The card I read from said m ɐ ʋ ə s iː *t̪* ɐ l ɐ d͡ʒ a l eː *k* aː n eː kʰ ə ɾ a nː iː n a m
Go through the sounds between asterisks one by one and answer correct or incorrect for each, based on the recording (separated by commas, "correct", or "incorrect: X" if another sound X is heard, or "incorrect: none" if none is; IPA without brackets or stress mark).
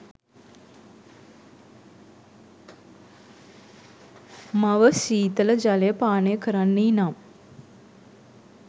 correct, incorrect: p